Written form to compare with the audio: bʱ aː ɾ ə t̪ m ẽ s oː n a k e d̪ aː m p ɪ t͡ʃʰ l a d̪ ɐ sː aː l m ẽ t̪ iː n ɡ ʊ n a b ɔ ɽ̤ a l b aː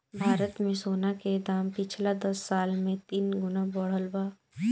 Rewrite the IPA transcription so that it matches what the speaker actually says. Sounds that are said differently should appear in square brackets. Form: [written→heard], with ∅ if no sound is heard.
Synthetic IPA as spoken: bʱ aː ɾ ə t̪ m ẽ s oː n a k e d̪ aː m p ɪ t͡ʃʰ l a d̪ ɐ sː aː l m ẽ t̪ iː n ɡ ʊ n a b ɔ ɽ̤ [a→ə] l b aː